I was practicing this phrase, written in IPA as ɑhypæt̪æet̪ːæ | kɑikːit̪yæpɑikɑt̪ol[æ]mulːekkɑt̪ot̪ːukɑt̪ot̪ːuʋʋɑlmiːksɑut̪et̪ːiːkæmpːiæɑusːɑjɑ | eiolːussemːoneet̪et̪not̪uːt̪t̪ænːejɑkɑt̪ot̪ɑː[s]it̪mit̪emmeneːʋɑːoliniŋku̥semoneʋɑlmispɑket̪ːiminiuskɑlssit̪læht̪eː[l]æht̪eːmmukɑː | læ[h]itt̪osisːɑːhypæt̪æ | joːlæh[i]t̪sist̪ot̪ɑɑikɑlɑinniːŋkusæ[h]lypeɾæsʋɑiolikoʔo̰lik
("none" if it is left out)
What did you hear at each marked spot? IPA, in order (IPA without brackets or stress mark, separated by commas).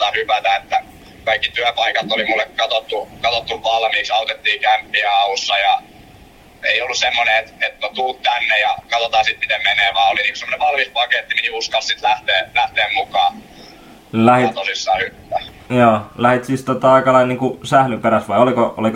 i, s, l, h, i, h